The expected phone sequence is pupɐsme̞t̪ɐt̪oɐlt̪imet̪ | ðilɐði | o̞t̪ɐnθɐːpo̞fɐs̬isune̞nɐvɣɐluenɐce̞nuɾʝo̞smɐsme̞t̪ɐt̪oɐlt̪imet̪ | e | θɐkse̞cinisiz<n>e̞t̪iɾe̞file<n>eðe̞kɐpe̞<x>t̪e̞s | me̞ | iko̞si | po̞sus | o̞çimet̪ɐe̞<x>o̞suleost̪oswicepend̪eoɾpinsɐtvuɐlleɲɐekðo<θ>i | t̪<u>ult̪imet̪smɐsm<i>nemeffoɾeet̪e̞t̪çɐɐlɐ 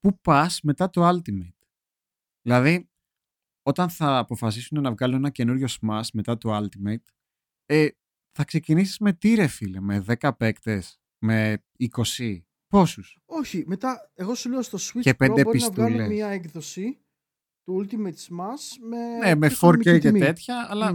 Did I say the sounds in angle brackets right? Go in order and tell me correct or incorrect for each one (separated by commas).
incorrect, incorrect, incorrect, incorrect, incorrect, correct, incorrect